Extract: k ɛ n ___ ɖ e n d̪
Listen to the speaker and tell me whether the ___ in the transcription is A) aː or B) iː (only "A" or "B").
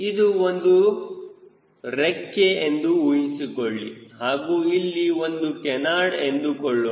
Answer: A